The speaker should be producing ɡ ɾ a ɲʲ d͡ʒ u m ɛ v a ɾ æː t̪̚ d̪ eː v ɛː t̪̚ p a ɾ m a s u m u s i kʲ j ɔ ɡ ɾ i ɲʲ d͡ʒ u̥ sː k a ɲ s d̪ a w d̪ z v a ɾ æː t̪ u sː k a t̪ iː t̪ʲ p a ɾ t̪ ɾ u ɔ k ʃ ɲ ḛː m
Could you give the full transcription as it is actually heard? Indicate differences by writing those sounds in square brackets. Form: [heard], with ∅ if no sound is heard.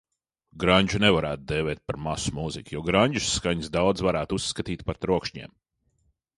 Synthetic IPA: ɡ ɾ a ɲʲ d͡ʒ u [n] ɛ v a ɾ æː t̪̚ d̪ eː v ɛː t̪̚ p a ɾ m a s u m u [z] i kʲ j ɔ ɡ ɾ [a] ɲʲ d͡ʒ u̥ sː k a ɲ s d̪ a w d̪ z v a ɾ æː t̪ u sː k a t̪ iː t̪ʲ p a ɾ t̪ ɾ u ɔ k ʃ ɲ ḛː m